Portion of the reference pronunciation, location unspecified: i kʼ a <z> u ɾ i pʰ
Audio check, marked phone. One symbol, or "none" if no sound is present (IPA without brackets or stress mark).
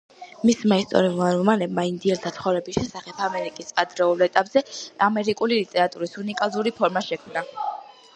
z